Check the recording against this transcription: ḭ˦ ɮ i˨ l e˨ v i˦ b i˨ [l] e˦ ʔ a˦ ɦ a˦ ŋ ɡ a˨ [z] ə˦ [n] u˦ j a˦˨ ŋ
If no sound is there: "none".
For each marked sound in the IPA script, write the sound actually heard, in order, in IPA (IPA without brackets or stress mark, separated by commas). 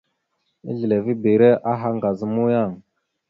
ɾ, z, m